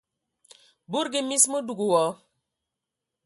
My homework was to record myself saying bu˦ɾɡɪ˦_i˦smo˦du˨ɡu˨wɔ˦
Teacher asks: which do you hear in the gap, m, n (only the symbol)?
m